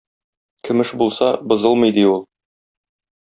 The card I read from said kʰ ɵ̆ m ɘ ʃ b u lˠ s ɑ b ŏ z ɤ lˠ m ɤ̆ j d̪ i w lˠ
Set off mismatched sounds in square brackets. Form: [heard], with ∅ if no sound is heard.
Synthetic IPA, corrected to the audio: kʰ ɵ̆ m ɘ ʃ b u lˠ s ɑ b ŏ z ɤ lˠ m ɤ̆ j d̪ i [u] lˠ